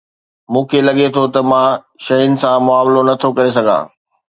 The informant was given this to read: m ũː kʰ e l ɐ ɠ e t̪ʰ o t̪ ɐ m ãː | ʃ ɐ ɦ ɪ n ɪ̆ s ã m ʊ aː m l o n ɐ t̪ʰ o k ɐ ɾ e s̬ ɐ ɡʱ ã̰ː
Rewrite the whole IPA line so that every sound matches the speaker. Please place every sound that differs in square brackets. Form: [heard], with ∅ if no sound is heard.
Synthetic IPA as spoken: m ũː kʰ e l ɐ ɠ e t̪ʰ o t̪ ɐ m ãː | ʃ ɐ ɦ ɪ n ɪ̆ s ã m ʊ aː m l o n ɐ t̪ʰ o k ɐ ɾ e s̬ ɐ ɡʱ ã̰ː